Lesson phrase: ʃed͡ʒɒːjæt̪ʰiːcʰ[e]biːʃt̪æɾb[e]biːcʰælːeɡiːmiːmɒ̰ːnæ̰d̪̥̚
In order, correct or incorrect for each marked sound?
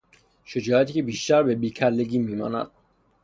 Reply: correct, correct

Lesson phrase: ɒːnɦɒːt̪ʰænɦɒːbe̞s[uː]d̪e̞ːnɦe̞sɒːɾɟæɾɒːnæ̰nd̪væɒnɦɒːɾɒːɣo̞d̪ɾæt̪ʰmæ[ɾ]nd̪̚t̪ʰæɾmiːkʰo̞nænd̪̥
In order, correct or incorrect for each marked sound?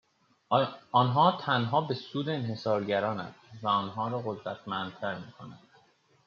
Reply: correct, incorrect

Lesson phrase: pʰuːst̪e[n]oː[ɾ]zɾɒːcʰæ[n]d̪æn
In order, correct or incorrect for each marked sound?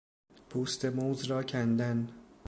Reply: incorrect, incorrect, correct

